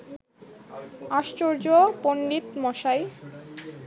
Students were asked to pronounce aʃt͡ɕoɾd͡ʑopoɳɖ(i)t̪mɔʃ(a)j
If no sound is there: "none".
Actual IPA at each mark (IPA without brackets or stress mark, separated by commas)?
i, a